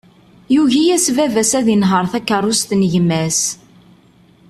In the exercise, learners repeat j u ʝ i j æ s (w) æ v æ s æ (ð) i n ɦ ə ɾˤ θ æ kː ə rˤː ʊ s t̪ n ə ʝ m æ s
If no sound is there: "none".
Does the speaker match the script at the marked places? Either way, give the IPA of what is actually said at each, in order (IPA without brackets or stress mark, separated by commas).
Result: v, ð